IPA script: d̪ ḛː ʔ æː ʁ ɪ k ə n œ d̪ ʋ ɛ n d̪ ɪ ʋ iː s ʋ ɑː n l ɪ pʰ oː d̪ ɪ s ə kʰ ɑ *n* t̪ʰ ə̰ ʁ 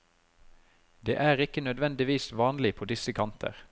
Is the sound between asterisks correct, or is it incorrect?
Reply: correct